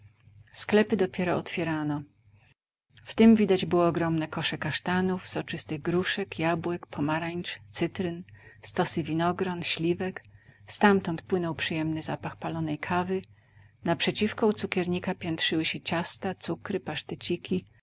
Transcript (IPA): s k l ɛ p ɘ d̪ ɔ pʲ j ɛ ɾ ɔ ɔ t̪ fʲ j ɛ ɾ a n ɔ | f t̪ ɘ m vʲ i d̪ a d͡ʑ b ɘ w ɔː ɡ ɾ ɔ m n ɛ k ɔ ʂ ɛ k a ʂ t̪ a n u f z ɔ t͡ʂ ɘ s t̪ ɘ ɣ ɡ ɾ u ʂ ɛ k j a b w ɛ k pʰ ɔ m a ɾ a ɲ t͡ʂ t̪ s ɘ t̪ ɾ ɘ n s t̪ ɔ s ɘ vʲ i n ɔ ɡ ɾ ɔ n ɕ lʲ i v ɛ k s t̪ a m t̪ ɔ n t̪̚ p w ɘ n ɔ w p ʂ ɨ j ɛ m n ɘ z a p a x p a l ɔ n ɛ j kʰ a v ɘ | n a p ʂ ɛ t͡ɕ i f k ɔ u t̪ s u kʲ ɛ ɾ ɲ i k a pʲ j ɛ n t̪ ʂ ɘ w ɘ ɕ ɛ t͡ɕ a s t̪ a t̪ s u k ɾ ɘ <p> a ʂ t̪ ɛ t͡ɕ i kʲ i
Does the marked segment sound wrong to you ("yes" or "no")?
no